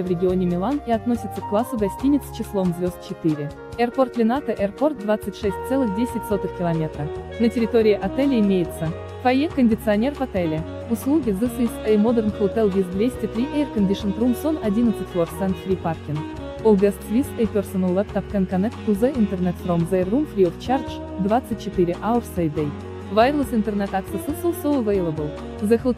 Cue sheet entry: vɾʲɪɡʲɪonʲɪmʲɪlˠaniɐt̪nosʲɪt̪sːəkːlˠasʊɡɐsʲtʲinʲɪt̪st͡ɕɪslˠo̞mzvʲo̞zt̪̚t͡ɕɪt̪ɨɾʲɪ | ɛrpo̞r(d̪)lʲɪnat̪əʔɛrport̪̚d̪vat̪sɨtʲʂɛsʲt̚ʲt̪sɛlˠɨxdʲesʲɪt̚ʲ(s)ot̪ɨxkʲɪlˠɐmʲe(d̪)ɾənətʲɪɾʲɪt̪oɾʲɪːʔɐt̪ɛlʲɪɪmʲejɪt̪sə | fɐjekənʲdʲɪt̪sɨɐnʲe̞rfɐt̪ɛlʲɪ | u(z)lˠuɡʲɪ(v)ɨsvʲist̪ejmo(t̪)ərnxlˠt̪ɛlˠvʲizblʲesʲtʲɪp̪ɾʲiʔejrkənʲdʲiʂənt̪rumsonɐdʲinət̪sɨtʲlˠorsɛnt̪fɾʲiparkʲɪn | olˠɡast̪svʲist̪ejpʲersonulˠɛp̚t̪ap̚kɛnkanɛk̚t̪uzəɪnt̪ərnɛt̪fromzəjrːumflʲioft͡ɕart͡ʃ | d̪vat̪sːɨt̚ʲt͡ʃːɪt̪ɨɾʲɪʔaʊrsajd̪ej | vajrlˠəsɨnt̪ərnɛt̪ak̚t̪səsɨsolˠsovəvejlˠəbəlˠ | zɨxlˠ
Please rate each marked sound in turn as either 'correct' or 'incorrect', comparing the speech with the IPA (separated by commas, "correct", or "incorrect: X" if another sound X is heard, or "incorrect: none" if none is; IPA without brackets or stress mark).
incorrect: t̪, correct, incorrect: t̪, incorrect: s, incorrect: z, incorrect: d̪